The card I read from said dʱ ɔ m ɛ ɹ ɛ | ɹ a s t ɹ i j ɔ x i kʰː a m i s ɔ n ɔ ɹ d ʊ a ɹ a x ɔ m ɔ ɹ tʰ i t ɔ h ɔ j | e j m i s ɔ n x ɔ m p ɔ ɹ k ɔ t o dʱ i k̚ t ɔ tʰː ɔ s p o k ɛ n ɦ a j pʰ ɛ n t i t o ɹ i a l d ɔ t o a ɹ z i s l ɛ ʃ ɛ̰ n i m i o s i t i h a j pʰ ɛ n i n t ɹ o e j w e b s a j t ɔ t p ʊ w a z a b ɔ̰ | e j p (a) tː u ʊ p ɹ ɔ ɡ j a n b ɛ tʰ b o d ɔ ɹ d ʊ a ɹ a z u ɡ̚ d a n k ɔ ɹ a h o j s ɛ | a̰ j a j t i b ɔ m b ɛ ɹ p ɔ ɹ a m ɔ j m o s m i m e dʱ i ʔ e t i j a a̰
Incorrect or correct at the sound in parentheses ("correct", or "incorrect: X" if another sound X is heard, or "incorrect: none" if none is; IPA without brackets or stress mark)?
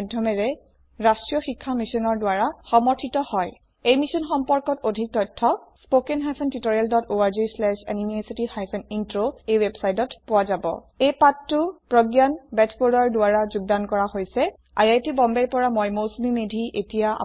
correct